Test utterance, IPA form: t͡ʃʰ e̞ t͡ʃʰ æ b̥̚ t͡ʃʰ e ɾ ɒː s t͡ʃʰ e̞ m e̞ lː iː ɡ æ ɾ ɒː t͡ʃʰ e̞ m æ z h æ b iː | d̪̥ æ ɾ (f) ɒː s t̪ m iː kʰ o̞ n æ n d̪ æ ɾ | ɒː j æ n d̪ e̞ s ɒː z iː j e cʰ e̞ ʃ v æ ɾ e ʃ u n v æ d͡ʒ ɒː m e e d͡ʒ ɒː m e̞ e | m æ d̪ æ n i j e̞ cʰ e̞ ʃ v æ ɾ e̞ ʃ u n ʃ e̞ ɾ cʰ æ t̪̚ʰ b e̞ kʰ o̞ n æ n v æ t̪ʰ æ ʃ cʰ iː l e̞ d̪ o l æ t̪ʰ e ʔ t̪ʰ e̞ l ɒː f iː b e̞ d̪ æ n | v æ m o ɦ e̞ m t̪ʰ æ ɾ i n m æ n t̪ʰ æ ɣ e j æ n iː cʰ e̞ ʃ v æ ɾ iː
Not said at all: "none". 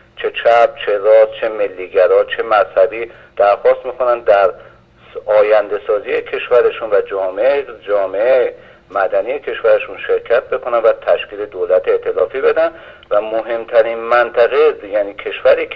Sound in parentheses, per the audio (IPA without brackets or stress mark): x